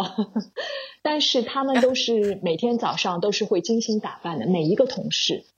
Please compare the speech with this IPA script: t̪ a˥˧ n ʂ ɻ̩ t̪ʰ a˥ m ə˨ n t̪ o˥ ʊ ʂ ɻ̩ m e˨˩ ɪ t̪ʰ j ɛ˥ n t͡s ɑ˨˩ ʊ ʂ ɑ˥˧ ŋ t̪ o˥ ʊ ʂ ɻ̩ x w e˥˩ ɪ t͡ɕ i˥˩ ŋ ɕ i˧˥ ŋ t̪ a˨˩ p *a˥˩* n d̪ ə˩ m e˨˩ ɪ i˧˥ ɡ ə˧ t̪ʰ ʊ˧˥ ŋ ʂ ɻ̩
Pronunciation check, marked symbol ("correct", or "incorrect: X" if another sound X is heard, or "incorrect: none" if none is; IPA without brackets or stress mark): correct